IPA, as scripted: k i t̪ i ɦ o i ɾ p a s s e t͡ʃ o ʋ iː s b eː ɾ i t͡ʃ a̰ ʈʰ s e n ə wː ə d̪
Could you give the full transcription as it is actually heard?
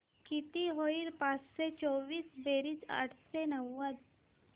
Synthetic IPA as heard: k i t̪ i ɦ o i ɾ p a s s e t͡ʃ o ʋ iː s b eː ɾ i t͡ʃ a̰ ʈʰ s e n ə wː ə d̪